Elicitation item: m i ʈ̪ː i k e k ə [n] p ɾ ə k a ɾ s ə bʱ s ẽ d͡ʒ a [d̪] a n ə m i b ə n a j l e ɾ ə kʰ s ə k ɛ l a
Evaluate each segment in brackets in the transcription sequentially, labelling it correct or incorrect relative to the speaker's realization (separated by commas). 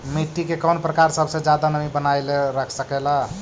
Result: correct, correct